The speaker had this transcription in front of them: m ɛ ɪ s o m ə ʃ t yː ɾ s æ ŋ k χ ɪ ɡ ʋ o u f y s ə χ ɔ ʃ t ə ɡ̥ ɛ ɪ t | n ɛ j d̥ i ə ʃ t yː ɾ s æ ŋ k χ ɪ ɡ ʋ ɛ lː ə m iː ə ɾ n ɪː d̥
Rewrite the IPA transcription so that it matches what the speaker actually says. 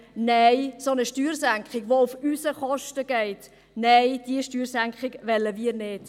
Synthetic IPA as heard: n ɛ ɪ s o n ə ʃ t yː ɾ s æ ŋ k χ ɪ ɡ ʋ o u f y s ə χ ɔ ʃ t ə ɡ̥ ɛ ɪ t | n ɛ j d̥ i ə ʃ t yː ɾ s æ ŋ k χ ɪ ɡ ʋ ɛ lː ə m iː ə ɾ n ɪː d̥

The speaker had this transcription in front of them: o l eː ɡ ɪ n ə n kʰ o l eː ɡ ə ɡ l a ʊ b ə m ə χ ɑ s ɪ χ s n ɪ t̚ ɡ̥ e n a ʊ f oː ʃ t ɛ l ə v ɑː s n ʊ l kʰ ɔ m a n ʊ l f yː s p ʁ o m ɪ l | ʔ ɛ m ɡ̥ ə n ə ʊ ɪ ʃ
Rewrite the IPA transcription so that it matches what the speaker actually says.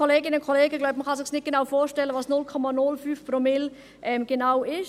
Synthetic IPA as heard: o l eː ɡ ɪ n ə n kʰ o l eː ɡ ə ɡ l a ʊ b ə m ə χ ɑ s ɪ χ s n ɪ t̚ ɡ̥ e n a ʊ f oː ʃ t ɛ l ə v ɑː s n ʊ l kʰ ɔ m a n ʊ l f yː f p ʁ o m ɪ l | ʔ ɛ m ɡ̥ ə n a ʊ ɪ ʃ

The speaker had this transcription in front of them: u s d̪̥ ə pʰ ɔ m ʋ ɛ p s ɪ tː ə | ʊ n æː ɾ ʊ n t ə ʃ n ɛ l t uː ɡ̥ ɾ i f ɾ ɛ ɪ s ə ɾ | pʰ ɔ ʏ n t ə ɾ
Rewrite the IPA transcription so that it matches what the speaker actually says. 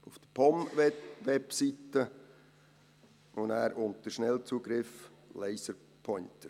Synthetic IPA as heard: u f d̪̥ ə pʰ ɔ m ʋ ɛ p s i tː ə | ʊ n æː ɾ ʊ n t ə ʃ n ɛ l t͡s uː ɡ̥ ɾ ɪ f l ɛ ɪ s ə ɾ | pʰ ɔ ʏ n t ə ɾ

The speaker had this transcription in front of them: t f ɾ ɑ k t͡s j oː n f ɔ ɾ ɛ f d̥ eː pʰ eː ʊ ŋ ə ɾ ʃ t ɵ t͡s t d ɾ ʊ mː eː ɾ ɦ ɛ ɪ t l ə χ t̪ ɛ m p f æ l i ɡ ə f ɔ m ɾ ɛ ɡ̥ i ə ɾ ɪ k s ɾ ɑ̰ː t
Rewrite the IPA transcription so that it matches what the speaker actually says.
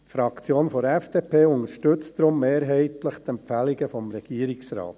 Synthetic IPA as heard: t f ɾ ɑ k t͡s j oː n f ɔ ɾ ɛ f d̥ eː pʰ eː ʊ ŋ ə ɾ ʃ t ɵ t͡s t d ɾ ʊ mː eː ɾ ɦ ɛ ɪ t l ə χ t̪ ɛ m p f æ l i ɡ ə f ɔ m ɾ ɛ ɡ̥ i ə ɾ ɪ k s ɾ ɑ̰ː t

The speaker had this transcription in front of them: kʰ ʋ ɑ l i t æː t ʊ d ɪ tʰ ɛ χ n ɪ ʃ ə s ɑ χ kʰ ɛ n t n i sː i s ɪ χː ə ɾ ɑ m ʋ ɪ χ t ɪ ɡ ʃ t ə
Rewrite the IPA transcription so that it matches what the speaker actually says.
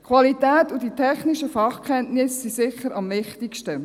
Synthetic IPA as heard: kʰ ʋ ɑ l i t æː t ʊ d i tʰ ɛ χ n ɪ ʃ ə f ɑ χ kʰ ɛ n t n ɪ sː i s ɪ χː ə ɾ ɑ m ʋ ɪ χ t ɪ k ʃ t ə

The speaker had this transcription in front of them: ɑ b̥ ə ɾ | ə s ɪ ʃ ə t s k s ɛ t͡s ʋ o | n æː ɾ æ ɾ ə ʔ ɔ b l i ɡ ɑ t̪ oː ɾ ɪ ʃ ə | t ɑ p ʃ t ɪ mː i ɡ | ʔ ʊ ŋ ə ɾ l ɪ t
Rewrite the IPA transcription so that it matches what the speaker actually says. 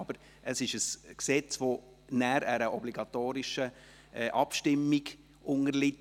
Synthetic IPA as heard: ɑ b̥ ə ɾ | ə s ɪ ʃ ə s k s ɛ t͡s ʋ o | n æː ɾ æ ɾ ə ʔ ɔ b l i ɡ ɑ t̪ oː ɾ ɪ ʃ ə | ʔ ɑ p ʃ t ɪ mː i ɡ | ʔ ʊ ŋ ə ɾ l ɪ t

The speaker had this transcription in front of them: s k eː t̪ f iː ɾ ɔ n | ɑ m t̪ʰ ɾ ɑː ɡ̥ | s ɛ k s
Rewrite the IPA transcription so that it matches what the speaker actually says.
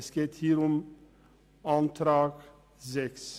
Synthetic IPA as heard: s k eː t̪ h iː ɾ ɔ m | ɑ n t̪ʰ ɾ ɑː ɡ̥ | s ɛ k s

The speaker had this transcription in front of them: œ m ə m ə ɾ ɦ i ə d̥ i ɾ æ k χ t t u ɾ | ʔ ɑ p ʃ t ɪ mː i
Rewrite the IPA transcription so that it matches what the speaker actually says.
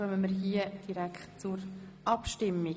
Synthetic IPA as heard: œ m ə m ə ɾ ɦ i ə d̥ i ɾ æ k χ t t͡s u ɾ | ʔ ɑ p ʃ t ɪ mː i

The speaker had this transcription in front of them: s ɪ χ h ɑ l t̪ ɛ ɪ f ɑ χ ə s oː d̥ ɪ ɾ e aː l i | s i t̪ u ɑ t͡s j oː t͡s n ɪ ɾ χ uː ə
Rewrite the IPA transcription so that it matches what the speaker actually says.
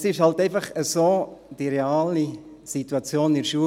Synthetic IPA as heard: s ɪ ʃ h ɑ l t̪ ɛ ɪ f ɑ χ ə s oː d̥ i ɾ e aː l i | s i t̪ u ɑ t͡s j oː n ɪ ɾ ʃ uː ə

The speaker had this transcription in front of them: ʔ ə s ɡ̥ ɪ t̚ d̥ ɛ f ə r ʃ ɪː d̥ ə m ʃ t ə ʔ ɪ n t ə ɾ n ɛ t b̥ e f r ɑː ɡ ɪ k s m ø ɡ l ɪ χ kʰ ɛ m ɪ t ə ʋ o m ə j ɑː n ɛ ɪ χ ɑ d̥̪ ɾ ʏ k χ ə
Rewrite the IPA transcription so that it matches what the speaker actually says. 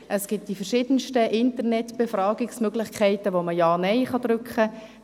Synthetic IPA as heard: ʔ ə s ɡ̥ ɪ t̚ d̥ i f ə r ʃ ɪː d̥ ə n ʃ t ə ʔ ɪ n t ə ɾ n ɛ t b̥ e f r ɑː ɡ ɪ k s m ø ɡ l ɪ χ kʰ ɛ ɪ t ə ʋ o m ə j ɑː n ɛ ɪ χ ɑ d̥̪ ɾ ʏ k χ ə

